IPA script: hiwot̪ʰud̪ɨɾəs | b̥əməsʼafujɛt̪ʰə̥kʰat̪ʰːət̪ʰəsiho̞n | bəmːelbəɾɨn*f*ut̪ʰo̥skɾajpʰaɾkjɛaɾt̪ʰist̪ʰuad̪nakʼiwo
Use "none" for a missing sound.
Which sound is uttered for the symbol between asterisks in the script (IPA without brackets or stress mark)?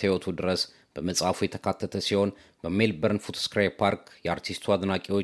f